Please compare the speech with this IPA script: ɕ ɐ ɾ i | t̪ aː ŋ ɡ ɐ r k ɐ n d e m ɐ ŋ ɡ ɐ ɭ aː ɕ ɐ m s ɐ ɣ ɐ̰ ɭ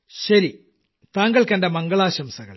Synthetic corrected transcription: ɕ ɐ ɾ i | t̪ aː ŋ ɡ ɐ ɭ k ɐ n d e m ɐ ŋ ɡ ɐ ɭ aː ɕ ɐ m s ɐ ɣ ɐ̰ ɭ

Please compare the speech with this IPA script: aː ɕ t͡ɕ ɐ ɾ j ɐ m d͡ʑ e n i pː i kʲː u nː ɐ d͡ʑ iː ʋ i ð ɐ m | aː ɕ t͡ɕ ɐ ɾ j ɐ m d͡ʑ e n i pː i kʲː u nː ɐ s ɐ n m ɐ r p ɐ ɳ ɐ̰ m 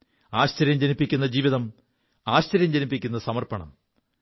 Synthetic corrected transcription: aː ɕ t͡ɕ ɐ ɾ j ɐ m d͡ʑ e n i pː i kʲː u nː ɐ d͡ʑ iː ʋ i ð ɐ m | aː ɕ t͡ɕ ɐ ɾ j ɐ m d͡ʑ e n i pː i kʲː u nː ɐ s ɐ m ɐ r p ɐ ɳ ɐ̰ m

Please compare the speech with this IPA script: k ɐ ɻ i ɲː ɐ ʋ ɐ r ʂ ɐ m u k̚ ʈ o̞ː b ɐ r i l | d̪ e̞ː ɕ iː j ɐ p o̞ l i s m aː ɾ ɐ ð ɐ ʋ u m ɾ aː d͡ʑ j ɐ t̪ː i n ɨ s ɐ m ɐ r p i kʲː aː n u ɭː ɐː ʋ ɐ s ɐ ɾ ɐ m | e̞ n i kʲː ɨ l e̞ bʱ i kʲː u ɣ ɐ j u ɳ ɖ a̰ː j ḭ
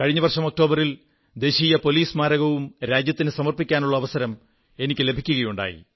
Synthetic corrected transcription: k ɐ ɻ i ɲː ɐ ʋ ɐ r ʂ ɐ m o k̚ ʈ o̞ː b ɐ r i l | d̪ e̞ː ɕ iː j ɐ p o̞ l iː s m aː ɾ ɐ ɣ ɐ ʋ u m ɾ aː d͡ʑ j ɐ t̪ː i n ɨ s ɐ m ɐ r p i kʲː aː n u ɭː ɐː ʋ ɐ s ɐ ɾ ɐ m | e̞ n i kʲː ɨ l e̞ bʱ i kʲː u ɣ ɐ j u ɳ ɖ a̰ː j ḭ

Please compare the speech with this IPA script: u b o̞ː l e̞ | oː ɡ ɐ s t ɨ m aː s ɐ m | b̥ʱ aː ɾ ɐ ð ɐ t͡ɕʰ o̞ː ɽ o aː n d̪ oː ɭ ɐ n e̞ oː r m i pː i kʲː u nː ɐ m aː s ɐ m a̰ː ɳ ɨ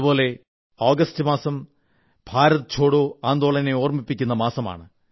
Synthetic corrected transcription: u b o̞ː l e̞ | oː ɡ ɐ s t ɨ m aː s ɐ m | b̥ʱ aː ɾ ɐ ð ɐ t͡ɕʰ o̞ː ɽ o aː n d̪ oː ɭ ɐ n e̞ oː r m i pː i kʲː u nː ɐ m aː s ɐ m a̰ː ɳ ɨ

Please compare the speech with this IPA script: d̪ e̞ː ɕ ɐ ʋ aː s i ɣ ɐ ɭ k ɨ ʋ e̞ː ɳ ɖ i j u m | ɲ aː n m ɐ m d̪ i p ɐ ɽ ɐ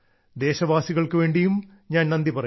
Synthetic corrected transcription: d̪ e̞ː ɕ ɐ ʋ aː s i ɣ ɐ ɭ k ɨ ʋ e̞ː ɳ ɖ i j u m | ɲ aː n n ɐ n d̪ i p ɐ r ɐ

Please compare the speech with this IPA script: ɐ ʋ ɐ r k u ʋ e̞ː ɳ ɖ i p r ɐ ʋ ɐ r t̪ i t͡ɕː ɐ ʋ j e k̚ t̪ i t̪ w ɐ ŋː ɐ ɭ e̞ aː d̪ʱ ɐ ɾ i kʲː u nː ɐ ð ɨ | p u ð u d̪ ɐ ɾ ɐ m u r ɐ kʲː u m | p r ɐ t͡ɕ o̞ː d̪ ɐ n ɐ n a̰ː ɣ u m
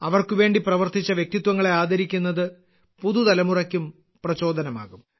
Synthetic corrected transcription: ɐ ʋ ɐ r k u ʋ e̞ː ɳ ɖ i p r ɐ ʋ ɐ r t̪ i t͡ɕː ɐ ʋ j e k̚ t̪ i t̪ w ɐ ŋː ɐ ɭ e̞ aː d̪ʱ ɐ ɾ i kʲː u nː ɐ ð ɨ | p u ð u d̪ ɐ l ɐ m u r ɐ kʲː u m | p r ɐ t͡ɕ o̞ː d̪ ɐ n ɐ m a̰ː ɣ u m

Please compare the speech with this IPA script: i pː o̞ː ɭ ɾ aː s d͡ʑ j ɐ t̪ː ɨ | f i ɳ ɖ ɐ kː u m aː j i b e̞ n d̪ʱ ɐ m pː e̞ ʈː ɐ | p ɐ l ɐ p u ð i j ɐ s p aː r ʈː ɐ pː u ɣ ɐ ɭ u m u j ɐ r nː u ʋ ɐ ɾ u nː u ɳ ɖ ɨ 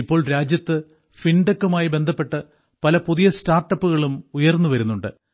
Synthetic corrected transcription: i pː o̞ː ɭ ɾ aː d͡ʑ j ɐ t̪ː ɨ | f i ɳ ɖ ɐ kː u m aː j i b e̞ n d̪ʱ ɐ pː e̞ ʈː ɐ | p ɐ l ɐ p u ð i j ɐ s t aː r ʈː ɐ pː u ɣ ɐ ɭ u m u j ɐ r nː u ʋ ɐ ɾ u nː u ɳ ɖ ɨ

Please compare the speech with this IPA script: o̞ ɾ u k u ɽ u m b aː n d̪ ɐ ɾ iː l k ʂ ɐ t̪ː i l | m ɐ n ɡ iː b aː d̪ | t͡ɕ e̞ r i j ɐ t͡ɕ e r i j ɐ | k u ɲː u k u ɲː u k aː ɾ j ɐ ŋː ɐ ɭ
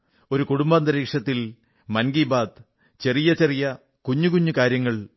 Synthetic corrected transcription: o̞ ɾ u k u ɽ u m b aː n d̪ ɐ ɾ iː k ʂ ɐ t̪ː i l | m ɐ n ɡ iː b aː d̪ | t͡ɕ e̞ r i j ɐ t͡ɕ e r i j ɐ | k u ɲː u k u ɲː u k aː ɾ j ɐ ŋː ɐ ɭ

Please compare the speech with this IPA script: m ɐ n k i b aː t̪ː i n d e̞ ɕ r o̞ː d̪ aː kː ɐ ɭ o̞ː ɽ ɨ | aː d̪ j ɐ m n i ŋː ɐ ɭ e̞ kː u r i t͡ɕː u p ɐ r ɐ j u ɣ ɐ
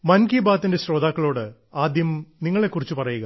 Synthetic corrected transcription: m ɐ n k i b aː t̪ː i n d e̞ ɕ r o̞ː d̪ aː kː ɐ ɭ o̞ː ɽ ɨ | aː d̪ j ɐ m n i ŋː ɐ ɭ e̞ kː u r i t͡ɕː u p ɐ r ɐ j u ɣ ɐ

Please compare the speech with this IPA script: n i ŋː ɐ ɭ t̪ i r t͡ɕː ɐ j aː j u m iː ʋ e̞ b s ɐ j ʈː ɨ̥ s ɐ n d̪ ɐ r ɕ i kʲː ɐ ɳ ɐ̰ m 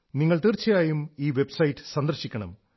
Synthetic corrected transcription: n i ŋː ɐ ɭ t̪ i r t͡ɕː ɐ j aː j u m iː ʋ e̞ b s ɐ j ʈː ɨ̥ s ɐ n d̪ ɐ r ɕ i kʲː ɐ ɳ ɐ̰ m

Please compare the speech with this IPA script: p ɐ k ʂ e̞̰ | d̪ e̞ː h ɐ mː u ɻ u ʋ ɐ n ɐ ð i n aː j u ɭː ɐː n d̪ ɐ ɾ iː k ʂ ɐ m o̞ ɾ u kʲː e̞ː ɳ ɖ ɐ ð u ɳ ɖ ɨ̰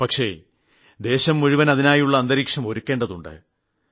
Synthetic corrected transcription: p ɐ k ʂ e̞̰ | d̪ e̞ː ɕ ɐ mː u ɻ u ʋ ɐ n ɐ ð i n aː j u ɭː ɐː n d̪ ɐ ɾ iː k ʂ ɐ m o̞ ɾ u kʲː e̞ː ɳ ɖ ɐ ð u ɳ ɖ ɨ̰

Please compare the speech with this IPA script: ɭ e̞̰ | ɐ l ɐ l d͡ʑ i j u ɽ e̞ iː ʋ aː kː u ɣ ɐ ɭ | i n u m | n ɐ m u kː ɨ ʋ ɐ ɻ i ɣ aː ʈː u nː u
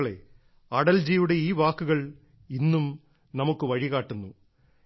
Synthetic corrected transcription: ɭ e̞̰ | ɐ ɽ ɐ l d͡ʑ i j u ɽ e̞ iː ʋ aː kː u ɣ ɐ ɭ | i nː u m | n ɐ m u kː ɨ ʋ ɐ ɻ i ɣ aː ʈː u nː u

